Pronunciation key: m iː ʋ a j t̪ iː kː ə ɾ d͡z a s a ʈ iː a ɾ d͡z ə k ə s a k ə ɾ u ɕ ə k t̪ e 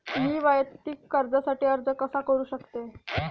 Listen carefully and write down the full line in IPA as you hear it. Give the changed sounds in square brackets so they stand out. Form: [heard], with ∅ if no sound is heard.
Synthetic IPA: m iː ʋ a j t̪ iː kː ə ɾ d͡z a s a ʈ iː [ə] ɾ d͡z ə k ə s a k ə ɾ [uː] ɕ ə k t̪ e